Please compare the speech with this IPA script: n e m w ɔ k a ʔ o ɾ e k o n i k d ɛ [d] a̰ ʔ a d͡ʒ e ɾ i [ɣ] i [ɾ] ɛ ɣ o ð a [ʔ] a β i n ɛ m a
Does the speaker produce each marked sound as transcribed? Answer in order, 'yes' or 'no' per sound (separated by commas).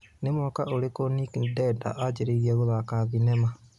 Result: yes, yes, no, no